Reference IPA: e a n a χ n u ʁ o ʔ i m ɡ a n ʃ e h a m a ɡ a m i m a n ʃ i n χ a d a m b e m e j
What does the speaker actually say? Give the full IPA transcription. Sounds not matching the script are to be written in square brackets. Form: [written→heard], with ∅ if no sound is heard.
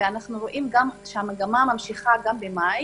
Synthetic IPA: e a n a χ n u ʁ o ʔ i m ɡ a [n→m] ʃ e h a m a ɡ a m [i→a] m a [n→m] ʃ i [n→∅] χ a [d→ɡ] a m b e m [e→a] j